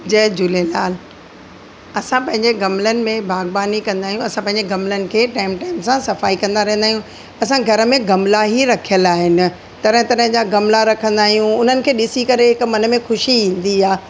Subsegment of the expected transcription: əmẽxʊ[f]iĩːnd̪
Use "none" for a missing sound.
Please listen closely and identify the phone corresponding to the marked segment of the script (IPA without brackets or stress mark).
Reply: ʃ